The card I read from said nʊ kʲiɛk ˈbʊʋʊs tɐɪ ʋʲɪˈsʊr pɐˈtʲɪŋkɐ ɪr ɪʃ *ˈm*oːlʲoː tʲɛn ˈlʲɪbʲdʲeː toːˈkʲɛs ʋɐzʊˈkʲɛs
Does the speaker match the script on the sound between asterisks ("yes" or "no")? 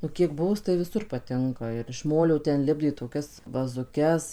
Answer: yes